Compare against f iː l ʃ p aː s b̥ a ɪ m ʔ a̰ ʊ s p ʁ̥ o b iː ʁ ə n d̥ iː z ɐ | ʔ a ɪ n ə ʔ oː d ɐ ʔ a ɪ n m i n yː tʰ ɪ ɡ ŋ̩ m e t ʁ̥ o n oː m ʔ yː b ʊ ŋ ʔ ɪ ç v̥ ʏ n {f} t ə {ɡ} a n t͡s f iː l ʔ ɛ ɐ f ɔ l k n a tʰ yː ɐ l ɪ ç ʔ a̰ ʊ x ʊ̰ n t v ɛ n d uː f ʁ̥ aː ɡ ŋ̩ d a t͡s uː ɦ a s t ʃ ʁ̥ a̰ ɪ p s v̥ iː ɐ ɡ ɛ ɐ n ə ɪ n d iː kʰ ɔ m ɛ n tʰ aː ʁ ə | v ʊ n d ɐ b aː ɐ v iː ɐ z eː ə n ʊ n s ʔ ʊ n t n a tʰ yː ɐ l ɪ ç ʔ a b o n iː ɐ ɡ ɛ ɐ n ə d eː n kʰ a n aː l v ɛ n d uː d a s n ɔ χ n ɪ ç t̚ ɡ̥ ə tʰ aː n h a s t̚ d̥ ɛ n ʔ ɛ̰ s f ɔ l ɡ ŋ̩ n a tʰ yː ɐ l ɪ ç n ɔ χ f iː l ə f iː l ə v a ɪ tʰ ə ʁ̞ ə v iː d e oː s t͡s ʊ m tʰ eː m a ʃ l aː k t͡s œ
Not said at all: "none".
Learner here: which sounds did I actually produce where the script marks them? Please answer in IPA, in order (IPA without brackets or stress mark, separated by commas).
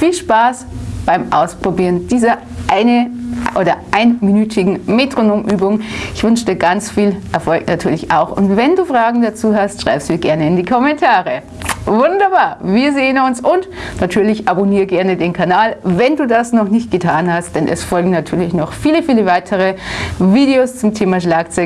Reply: ʃ, ɡ